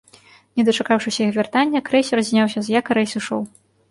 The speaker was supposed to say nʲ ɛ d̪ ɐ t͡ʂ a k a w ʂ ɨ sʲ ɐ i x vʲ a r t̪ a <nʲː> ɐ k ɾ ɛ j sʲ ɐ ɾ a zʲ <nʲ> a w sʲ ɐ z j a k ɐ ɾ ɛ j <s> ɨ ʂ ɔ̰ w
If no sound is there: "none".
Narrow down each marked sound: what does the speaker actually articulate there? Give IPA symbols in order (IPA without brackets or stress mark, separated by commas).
nʲː, nʲ, s